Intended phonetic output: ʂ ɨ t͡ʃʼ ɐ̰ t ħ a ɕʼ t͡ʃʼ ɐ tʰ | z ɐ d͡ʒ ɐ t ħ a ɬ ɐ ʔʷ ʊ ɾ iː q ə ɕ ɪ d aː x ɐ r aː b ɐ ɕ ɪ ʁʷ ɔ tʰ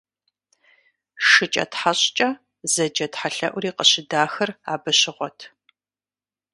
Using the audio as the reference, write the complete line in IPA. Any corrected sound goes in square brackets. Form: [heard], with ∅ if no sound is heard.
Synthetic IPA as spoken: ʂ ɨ t͡ʃʼ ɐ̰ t ħ a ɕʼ t͡ʃʼ ɐ [∅] | z ɐ d͡ʒ ɐ t ħ a ɬ ɐ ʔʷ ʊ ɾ iː q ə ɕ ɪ d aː x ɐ r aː b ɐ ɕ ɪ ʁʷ ɔ tʰ